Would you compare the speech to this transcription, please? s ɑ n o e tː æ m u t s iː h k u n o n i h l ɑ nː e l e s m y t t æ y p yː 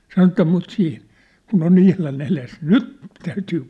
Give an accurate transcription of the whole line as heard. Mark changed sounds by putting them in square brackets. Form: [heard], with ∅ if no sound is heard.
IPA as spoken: s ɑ n o e tː æ m u t s iː h k u n o n i h l ɑ [n] e l e s [n] y t t æ y [t] yː